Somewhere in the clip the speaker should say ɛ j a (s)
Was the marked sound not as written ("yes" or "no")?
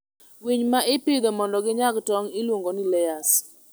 no